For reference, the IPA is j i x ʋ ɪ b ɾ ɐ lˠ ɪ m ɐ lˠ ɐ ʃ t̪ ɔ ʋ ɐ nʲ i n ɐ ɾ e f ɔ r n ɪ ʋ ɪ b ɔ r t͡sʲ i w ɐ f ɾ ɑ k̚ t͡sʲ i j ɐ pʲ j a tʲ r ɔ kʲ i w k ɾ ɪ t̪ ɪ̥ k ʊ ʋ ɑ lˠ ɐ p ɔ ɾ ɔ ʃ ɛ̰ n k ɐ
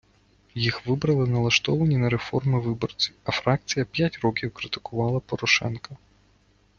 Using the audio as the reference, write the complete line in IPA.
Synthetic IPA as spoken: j i x ʋ ɪ b ɾ ɐ lˠ ɪ n ɐ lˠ ɐ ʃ t̪ ɔ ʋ ɐ nʲ i n ɐ ɾ e f ɔ r m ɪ ʋ ɪ b ɔ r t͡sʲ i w ɐ f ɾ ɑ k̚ t͡sʲ i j ɐ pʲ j a tʲ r ɔ kʲ i w k ɾ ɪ t̪ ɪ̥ k ʊ ʋ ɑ lˠ ɐ p ɔ ɾ ɔ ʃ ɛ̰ n k ɐ